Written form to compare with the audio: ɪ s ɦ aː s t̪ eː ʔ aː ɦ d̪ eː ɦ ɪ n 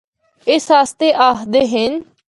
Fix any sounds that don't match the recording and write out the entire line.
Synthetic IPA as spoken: ɪ s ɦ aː s t̪ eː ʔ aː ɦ d̪ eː ɦ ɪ n